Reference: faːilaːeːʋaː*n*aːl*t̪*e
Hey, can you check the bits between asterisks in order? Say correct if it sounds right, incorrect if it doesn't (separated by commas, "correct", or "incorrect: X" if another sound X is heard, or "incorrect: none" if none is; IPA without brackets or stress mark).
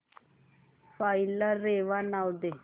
correct, incorrect: d̪